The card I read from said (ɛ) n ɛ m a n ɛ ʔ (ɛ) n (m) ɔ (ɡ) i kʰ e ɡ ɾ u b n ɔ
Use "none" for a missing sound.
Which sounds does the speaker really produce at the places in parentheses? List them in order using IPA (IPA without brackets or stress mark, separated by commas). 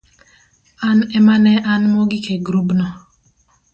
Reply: a, a, m, ɡ